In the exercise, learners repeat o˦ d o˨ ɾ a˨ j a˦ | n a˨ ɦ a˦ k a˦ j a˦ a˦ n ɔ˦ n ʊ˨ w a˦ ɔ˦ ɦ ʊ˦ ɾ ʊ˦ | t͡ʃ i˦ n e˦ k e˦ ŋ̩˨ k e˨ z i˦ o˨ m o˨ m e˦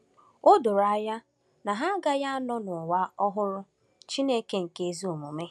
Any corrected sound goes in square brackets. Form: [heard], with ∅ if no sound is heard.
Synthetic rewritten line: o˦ d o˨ ɾ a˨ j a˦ | n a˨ ɦ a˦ [ɡ] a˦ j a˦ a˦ n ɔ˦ n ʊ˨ w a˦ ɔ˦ ɦ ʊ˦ ɾ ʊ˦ | t͡ʃ i˦ n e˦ k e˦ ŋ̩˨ k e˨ z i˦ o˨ m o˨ m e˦

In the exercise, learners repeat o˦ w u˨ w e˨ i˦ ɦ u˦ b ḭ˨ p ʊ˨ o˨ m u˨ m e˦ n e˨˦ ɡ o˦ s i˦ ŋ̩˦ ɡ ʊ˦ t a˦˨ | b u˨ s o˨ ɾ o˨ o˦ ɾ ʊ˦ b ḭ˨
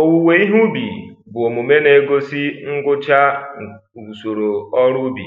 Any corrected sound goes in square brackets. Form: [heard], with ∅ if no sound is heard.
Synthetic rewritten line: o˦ w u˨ w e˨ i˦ ɦ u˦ b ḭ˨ [b] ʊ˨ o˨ m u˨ m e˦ n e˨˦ ɡ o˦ s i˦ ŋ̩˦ ɡ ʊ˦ [t͡ʃ] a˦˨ | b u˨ s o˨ ɾ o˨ [ɔ˦] ɾ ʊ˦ b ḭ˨

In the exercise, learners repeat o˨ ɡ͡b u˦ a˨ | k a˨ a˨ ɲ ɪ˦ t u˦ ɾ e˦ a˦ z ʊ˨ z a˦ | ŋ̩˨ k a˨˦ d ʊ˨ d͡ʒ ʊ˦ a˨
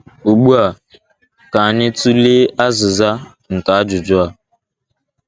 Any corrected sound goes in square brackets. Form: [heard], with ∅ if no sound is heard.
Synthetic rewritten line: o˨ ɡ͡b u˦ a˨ | k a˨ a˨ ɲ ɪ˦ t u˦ [l] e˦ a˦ z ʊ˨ z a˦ | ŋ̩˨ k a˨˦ [d͡ʒ] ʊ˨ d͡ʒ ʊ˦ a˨

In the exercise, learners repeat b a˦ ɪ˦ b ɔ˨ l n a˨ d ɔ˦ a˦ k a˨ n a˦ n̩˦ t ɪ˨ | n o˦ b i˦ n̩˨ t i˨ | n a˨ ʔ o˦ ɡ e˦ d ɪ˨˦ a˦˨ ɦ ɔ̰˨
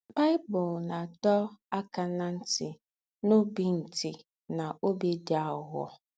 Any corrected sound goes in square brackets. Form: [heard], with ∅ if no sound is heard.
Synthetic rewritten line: b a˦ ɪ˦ b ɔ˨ l n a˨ d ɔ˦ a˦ k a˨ n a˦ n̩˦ t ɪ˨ | n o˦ b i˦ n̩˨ t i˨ | n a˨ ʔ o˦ [b] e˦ d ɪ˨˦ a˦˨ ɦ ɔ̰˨

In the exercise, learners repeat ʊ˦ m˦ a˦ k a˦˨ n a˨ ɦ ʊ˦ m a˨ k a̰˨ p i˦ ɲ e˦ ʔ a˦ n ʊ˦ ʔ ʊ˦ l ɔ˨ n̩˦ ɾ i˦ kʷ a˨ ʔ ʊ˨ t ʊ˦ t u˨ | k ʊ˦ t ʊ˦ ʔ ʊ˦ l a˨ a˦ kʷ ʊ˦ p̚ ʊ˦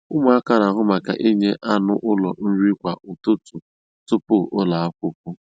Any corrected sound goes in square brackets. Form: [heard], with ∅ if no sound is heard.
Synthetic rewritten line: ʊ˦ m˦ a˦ k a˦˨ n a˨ ɦ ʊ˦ m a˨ k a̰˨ [ʔ] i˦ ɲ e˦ ʔ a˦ n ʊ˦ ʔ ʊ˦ l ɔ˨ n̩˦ ɾ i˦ kʷ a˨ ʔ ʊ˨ t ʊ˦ t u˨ | [t] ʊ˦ [p] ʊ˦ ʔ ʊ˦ l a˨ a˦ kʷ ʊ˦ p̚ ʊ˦

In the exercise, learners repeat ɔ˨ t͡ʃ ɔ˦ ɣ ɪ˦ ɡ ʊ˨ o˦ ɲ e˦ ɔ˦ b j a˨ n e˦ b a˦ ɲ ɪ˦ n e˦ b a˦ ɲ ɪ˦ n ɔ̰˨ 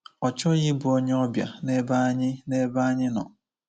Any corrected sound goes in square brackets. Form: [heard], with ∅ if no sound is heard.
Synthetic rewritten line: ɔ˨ t͡ʃ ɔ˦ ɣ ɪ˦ [b] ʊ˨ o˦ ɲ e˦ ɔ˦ b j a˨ n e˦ b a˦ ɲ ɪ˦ n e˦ b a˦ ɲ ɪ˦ n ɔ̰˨

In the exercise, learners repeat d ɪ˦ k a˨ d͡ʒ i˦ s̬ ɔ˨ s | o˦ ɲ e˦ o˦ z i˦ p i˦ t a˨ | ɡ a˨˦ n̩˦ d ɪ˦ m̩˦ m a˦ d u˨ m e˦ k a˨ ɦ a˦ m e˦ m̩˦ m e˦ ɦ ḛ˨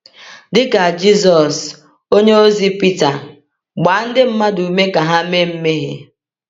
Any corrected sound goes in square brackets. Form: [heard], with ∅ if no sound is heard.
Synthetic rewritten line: d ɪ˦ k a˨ d͡ʒ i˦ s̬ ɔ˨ s | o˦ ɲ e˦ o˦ z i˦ p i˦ t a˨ | [ɡ͡b] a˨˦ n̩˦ d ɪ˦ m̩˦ m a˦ d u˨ m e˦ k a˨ ɦ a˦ m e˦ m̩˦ m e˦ ɦ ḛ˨

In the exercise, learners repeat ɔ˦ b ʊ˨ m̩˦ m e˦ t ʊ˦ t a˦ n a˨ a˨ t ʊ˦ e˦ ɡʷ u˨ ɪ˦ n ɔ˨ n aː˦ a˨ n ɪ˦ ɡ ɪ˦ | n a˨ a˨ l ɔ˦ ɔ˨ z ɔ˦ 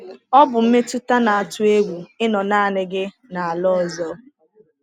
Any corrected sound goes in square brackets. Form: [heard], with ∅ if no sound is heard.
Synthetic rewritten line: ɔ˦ b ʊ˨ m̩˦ m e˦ t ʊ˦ t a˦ n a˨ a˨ t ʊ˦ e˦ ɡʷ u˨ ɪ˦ n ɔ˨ n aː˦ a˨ n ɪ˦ ɡ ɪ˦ | n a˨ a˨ l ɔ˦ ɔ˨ z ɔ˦

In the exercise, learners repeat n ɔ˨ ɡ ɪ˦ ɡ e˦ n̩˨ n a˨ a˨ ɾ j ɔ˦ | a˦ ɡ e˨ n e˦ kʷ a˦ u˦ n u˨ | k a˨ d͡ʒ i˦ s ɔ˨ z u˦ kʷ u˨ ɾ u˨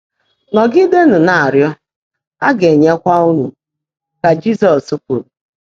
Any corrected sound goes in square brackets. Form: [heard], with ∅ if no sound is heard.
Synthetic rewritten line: n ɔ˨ ɡ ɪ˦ [d] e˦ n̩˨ n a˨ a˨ ɾ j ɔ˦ | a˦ ɡ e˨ [ɲ] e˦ kʷ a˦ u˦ n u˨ | k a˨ d͡ʒ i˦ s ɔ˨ [s] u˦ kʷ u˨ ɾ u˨

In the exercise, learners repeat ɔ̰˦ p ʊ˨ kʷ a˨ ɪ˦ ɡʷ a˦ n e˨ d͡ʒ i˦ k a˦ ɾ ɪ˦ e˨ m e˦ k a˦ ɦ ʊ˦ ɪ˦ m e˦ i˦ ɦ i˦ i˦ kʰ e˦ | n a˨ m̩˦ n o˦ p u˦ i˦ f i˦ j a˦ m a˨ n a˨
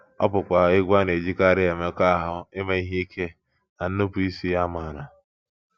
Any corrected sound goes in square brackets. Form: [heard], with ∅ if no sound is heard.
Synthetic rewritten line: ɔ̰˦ p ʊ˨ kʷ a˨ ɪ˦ ɡʷ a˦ n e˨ d͡ʒ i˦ k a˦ ɾ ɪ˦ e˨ m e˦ k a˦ ɦ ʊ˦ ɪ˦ m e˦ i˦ ɦ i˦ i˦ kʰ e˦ | n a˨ [n̩˦] n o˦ p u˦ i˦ [s] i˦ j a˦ m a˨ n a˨

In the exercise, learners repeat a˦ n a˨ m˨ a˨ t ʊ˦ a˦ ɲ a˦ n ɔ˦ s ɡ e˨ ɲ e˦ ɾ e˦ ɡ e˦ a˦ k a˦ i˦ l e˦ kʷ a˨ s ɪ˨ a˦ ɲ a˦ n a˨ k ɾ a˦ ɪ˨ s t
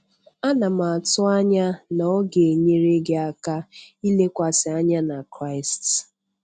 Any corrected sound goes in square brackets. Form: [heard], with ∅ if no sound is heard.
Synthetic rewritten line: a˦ n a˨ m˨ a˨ t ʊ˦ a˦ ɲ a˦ n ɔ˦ [∅] ɡ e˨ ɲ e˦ ɾ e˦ ɡ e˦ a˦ k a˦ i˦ l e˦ kʷ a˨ s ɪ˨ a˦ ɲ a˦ n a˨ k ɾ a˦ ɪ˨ s t

